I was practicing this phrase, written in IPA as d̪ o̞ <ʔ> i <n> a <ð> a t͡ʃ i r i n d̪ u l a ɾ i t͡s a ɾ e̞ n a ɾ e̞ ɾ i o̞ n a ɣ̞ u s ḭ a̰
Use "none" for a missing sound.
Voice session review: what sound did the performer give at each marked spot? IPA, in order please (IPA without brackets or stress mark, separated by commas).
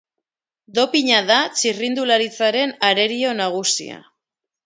p, ɲ, ð